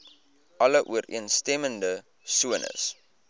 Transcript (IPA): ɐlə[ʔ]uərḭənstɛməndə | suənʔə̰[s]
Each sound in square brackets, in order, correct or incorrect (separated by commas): correct, correct